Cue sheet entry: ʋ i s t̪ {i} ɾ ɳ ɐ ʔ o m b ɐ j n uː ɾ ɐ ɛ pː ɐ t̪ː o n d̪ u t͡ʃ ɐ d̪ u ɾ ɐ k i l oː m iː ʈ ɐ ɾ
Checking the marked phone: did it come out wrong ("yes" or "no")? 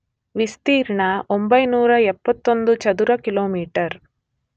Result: yes